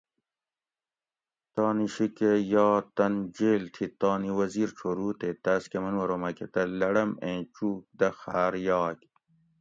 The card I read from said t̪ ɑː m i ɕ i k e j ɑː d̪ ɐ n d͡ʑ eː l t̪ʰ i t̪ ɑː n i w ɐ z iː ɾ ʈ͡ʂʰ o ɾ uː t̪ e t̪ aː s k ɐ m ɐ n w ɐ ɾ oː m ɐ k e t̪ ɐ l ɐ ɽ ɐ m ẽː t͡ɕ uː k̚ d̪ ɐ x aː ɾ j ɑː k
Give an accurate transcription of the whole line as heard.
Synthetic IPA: t̪ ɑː n i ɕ i k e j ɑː t̪ ɐ n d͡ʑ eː l t̪ʰ i t̪ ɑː n i w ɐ z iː ɾ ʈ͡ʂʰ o ɾ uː t̪ e t̪ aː s k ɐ m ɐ n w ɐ ɾ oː m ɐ k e t̪ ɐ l ɐ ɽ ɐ m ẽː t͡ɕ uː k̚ d̪ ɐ x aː ɾ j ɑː k